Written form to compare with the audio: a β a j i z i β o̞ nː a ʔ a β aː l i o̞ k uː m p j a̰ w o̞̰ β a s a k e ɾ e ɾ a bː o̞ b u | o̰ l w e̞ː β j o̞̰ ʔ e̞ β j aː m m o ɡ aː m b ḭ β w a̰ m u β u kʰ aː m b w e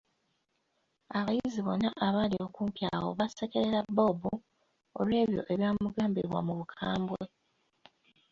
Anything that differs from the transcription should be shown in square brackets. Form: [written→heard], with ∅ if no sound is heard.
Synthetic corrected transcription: a β a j i z i β o̞ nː a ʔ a β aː l i o̞ k uː m p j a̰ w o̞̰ β a s [a→e] k e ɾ e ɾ a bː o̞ b u | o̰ l w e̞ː β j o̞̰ ʔ e̞ β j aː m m [o→u] ɡ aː m b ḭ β w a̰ m u β u kʰ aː m b w e